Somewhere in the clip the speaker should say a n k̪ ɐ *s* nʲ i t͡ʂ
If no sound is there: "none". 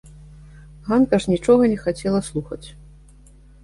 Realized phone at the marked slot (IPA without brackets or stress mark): ʂ